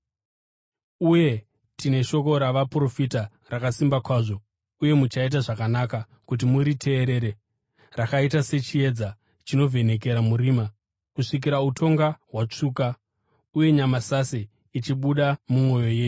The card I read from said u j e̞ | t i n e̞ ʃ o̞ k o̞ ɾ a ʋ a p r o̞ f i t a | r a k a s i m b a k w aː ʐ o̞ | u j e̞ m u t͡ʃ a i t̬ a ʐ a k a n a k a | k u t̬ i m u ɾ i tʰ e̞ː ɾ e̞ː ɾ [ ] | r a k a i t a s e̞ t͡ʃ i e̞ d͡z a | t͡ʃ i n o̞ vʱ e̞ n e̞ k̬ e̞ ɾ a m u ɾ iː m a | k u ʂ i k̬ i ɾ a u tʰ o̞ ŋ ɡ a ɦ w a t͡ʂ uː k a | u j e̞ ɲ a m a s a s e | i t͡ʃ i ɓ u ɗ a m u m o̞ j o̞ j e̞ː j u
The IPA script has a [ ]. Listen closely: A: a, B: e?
B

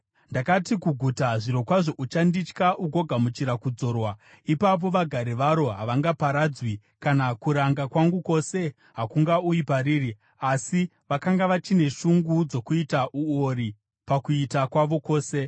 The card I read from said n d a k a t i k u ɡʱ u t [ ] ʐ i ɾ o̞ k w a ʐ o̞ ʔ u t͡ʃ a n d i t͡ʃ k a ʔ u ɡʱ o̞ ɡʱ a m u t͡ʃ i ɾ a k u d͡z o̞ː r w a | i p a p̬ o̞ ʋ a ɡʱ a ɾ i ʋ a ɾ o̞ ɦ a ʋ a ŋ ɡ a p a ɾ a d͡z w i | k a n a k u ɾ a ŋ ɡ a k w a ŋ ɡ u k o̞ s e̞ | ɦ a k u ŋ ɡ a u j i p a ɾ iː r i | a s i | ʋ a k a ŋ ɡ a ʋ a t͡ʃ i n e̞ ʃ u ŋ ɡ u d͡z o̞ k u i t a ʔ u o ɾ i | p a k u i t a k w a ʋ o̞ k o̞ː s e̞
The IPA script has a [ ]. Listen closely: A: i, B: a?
B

